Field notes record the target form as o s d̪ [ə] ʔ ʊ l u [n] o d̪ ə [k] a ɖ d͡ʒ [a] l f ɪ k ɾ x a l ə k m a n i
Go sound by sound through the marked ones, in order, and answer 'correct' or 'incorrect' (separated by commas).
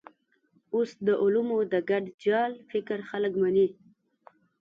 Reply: correct, incorrect, incorrect, incorrect